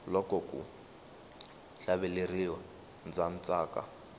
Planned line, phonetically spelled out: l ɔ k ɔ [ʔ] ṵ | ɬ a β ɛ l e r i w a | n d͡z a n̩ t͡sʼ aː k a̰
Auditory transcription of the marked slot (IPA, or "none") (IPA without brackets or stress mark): k